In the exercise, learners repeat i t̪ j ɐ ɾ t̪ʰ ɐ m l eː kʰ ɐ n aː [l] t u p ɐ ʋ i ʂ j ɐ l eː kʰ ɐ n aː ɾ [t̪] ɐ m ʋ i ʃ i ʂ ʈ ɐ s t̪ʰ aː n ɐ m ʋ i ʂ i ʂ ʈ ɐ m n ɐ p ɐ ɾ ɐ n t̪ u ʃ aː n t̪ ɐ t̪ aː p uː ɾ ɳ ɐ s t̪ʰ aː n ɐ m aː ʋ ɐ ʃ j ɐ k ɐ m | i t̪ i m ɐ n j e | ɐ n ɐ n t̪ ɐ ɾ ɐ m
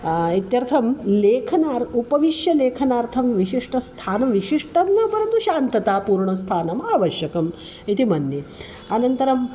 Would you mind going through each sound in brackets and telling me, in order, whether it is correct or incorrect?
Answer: incorrect, incorrect

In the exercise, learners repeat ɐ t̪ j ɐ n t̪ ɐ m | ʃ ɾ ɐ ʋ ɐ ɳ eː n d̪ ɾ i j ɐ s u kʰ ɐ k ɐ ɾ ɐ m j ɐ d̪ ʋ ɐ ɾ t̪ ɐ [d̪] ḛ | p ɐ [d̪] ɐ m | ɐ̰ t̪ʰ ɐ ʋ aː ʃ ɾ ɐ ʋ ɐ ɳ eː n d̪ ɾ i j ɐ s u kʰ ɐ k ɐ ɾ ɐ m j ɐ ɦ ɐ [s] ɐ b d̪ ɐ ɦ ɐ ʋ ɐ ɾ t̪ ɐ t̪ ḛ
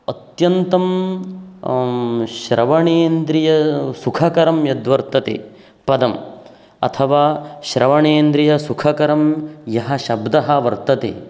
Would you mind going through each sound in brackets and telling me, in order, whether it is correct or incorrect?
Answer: incorrect, correct, incorrect

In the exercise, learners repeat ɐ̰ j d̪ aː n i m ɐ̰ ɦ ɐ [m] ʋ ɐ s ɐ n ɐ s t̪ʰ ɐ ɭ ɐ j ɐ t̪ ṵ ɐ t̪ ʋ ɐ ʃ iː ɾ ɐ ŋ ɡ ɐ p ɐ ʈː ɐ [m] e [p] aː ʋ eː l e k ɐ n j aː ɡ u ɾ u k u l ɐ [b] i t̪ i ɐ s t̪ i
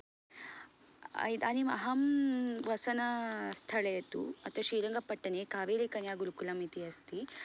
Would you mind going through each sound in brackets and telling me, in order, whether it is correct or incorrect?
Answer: correct, incorrect, incorrect, incorrect

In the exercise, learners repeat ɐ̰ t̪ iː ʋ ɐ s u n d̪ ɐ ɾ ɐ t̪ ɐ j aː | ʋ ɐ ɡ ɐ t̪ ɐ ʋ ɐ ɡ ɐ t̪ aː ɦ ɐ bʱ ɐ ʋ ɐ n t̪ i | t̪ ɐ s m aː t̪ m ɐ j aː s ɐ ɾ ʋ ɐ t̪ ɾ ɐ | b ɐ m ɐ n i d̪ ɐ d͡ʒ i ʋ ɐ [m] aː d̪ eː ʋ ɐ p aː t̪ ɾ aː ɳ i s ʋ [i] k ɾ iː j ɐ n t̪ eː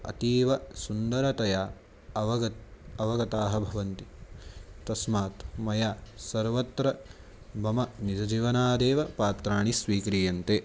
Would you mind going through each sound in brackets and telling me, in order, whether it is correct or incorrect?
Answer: incorrect, incorrect

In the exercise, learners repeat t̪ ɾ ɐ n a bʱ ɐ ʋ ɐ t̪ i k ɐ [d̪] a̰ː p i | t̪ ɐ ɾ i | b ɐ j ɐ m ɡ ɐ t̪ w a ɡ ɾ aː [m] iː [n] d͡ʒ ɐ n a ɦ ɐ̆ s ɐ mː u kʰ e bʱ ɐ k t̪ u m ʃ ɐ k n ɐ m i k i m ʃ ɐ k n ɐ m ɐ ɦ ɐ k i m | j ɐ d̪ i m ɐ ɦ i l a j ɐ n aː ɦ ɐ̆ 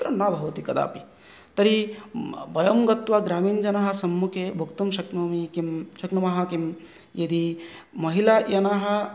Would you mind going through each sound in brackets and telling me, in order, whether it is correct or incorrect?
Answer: correct, correct, correct

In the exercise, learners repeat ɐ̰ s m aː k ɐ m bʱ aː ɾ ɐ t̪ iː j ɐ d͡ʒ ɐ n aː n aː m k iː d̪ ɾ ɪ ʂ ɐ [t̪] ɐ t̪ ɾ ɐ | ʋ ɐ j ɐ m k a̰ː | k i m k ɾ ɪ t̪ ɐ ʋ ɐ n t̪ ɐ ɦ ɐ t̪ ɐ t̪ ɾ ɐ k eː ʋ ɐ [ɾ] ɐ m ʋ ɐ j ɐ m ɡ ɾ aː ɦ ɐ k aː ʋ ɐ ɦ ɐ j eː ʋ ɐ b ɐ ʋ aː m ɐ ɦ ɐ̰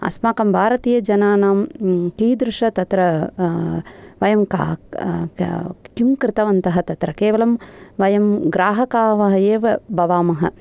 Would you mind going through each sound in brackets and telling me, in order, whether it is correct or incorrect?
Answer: correct, incorrect

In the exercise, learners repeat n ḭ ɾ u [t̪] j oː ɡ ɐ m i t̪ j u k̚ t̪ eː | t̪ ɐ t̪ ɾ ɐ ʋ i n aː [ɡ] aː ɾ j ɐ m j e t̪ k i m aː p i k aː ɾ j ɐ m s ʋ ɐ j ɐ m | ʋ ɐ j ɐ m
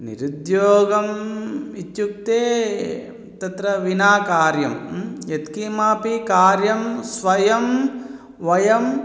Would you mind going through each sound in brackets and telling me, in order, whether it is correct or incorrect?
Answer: incorrect, incorrect

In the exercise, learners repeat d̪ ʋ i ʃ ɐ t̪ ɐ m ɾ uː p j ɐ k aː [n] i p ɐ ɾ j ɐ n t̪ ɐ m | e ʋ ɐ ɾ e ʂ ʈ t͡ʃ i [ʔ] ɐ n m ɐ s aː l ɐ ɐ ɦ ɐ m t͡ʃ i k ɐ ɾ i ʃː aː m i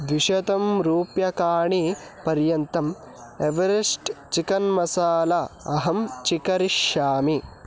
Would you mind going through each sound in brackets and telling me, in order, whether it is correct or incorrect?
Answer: incorrect, incorrect

